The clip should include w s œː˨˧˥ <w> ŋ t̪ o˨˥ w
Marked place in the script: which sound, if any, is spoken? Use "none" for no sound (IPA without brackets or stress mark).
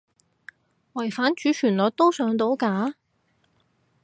none